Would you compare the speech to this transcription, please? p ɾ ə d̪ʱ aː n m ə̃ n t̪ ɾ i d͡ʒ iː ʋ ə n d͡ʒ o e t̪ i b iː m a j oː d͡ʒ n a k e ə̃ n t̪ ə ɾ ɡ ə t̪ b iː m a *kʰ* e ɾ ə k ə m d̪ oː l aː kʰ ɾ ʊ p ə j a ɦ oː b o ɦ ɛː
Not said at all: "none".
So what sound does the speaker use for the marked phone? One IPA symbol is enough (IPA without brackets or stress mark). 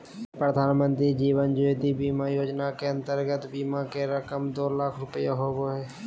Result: k